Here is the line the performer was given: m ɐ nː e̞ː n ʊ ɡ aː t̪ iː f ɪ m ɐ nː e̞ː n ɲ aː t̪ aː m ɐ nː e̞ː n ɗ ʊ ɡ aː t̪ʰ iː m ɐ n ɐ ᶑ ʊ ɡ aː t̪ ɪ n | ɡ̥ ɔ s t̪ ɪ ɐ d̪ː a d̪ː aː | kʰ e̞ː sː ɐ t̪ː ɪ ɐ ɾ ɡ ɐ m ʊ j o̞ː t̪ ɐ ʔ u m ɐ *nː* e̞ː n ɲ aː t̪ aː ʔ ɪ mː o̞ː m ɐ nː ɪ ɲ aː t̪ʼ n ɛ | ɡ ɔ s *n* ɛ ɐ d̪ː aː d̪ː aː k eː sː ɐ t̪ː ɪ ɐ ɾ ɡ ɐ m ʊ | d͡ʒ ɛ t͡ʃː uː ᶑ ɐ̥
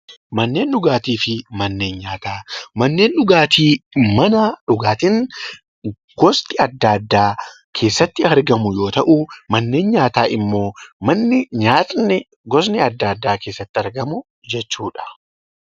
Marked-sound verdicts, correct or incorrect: correct, correct

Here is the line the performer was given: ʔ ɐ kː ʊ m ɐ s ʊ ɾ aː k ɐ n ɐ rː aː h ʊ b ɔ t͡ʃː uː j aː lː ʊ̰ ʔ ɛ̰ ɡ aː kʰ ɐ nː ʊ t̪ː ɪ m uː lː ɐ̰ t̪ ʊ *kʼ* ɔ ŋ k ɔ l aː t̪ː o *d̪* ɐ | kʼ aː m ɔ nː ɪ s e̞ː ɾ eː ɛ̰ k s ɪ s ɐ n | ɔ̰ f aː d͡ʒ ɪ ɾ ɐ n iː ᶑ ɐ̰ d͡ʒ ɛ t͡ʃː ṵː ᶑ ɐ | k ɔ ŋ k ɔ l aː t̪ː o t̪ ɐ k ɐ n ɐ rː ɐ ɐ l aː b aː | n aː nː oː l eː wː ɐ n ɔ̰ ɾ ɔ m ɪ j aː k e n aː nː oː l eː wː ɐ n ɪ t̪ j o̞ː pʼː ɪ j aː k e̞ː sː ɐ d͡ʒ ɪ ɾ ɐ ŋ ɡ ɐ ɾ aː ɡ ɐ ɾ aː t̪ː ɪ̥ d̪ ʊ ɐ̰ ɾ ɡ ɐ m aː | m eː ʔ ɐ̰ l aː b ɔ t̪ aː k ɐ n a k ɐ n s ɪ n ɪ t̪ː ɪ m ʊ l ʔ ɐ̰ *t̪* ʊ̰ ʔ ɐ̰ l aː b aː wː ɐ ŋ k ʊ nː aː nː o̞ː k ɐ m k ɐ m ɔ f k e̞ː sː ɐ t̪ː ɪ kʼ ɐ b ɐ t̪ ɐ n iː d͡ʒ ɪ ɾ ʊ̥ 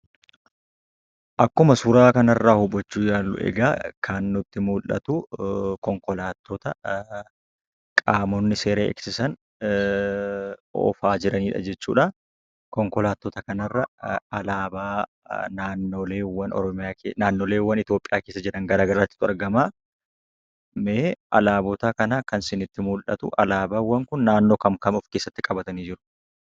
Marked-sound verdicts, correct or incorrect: incorrect: k, incorrect: t̪, correct

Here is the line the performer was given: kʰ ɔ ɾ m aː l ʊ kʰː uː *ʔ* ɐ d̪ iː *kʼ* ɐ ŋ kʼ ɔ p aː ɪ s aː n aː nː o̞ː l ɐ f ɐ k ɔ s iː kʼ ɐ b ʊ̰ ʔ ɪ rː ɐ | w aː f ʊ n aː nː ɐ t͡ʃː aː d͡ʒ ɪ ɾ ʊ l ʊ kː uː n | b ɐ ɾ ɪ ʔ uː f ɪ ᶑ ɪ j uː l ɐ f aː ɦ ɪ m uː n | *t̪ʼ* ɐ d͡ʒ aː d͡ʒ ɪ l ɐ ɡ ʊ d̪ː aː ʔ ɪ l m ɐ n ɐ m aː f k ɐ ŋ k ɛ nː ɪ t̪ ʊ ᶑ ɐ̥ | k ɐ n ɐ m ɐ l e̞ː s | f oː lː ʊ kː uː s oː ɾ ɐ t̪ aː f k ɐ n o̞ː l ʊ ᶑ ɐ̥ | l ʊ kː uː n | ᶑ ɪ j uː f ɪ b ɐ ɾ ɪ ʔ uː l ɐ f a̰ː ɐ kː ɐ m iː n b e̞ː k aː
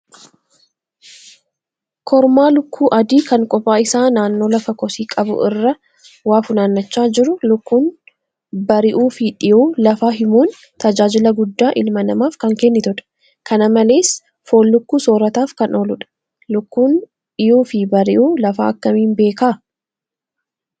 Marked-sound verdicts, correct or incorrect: correct, incorrect: k, incorrect: t̪

